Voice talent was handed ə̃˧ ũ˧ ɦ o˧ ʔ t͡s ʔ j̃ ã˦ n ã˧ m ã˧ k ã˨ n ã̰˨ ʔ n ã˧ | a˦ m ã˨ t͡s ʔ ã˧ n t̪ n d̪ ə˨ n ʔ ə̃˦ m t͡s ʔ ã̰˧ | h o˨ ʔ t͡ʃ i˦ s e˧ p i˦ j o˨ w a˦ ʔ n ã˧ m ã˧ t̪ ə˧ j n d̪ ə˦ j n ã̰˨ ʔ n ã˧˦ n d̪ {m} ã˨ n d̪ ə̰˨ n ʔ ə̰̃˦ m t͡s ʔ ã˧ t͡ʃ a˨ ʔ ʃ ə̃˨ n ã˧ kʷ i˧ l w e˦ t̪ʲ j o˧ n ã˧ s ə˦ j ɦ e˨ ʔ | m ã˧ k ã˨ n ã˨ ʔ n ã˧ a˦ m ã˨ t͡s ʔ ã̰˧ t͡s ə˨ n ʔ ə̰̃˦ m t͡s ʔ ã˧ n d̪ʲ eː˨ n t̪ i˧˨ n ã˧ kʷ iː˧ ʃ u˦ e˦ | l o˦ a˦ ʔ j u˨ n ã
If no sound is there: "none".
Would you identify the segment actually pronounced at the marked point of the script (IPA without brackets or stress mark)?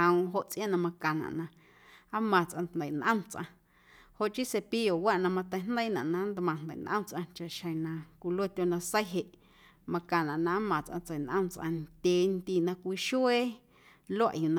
m